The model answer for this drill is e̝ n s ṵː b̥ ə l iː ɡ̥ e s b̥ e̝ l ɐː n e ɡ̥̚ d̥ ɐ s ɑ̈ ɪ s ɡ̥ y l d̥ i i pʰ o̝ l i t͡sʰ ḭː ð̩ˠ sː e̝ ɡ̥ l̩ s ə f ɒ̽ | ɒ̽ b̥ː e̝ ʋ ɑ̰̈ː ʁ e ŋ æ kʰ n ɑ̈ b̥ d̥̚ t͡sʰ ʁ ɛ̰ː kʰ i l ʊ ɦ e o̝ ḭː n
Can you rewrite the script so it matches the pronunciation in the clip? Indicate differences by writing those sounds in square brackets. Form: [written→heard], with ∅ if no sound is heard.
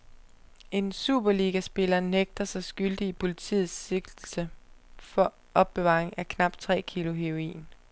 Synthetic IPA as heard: e̝ n s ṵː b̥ [ə→ɐ] l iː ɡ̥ [e→æ] s b̥ e̝ l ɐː n e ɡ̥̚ d̥ ɐ s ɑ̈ ɪ s ɡ̥ y l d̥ i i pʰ o̝ l i t͡sʰ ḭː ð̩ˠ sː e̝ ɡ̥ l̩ s ə f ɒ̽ | ɒ̽ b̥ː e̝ ʋ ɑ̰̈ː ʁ e ŋ æ kʰ n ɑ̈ b̥ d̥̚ t͡sʰ ʁ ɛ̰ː kʰ i l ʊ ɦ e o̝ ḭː n

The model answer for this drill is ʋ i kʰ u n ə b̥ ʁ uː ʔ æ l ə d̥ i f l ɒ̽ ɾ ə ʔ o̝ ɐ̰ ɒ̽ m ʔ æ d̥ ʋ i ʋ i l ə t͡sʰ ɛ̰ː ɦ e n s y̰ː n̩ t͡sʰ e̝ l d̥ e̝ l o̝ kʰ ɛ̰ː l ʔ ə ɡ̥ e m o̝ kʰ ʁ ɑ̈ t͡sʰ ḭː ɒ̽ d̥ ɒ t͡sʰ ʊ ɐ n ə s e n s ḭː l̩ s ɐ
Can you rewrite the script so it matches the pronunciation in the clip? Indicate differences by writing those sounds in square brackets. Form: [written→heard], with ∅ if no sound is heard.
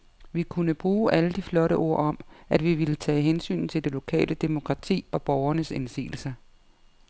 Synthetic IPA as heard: ʋ i kʰ u n ə b̥ ʁ uː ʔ æ l ə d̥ i f l ɒ̽ ɾ ə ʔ o̝ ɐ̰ ɒ̽ m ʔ æ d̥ ʋ i ʋ i l ə t͡sʰ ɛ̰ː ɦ e n s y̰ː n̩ t͡sʰ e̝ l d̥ e̝ l o̝ kʰ ɛ̰ː l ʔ ə [ɡ̥→d̥] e m o̝ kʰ ʁ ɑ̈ t͡sʰ ḭː ɒ̽ [d̥→b̥] ɒ [t͡sʰ→∅] ʊ ɐ n ə s e n s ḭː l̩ s ɐ

